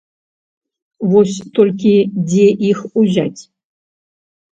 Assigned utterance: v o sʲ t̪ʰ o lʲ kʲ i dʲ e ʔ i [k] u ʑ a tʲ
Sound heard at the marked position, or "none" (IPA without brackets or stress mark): x